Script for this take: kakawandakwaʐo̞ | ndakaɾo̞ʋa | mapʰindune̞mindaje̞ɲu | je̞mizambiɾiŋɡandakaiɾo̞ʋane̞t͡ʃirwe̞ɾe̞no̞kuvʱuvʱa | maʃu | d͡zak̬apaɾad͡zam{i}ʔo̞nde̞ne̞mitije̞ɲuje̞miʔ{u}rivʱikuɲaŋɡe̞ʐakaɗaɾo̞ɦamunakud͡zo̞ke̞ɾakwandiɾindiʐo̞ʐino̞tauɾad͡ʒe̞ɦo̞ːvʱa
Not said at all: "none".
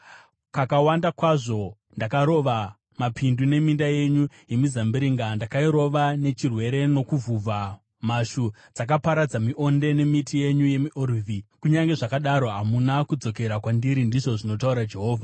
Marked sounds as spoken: i, o

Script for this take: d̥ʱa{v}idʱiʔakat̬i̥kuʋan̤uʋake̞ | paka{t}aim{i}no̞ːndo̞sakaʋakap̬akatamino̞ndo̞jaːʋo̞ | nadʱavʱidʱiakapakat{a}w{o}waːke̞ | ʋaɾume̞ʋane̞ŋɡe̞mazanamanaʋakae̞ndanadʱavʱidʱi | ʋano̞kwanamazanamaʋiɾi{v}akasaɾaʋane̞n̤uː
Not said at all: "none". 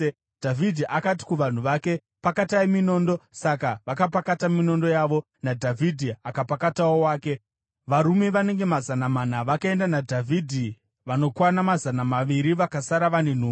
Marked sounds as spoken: v, t, i, a, o, ʋ

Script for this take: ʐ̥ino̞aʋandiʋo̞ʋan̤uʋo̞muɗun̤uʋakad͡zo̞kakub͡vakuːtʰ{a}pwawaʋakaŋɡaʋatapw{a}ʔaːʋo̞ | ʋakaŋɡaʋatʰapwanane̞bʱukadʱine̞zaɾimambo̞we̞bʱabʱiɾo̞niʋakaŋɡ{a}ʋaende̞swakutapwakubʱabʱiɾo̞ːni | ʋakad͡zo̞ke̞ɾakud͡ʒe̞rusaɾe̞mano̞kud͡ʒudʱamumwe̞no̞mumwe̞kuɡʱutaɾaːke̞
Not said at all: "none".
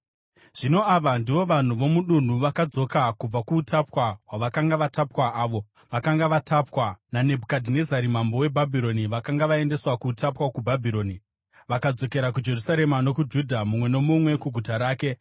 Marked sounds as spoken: a, a, a

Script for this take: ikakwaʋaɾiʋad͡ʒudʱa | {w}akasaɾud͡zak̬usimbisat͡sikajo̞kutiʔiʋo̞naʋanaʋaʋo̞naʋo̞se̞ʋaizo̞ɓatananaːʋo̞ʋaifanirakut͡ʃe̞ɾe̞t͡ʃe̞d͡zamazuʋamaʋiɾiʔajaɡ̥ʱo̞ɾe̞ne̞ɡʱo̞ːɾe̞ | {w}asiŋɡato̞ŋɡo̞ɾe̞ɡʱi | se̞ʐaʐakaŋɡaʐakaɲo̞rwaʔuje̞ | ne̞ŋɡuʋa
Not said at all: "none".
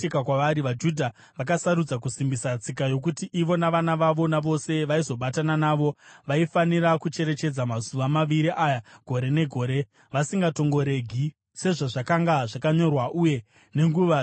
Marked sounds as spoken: ʋ, ʋ

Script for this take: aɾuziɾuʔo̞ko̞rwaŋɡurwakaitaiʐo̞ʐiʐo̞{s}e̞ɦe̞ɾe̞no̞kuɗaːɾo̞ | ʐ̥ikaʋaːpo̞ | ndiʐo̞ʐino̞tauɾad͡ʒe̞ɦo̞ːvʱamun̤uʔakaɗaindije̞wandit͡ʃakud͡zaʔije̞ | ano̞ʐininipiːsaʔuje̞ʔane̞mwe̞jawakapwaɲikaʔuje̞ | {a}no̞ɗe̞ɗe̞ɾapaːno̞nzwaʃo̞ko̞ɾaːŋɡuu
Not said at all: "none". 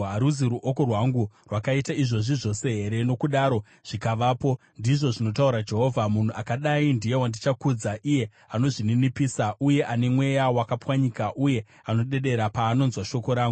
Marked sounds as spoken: s, a

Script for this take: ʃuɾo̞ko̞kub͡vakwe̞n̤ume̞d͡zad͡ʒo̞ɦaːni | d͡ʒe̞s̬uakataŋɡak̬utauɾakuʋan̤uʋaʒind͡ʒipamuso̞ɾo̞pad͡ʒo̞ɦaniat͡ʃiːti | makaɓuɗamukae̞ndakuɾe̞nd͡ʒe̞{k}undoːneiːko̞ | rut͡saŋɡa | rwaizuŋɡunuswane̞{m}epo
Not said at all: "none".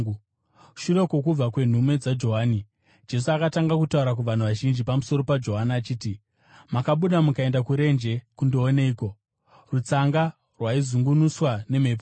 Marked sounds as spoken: k, m

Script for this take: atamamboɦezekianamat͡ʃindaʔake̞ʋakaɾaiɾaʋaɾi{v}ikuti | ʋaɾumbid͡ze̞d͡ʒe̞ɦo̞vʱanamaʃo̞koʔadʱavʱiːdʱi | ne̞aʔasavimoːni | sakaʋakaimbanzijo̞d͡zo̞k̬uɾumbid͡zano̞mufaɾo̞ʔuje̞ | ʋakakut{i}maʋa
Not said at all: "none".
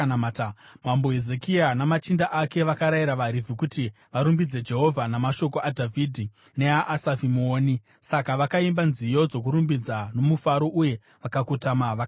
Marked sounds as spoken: v, a

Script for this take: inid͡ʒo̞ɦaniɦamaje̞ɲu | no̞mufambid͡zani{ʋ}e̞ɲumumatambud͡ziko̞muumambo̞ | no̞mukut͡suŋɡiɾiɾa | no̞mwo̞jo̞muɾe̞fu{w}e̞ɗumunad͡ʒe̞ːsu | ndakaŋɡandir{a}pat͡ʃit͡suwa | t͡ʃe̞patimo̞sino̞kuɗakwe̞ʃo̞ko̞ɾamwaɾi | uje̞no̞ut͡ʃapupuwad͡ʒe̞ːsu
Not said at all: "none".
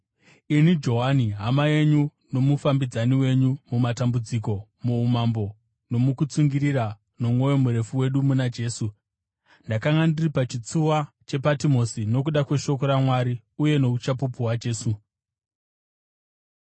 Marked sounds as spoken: w, w, i

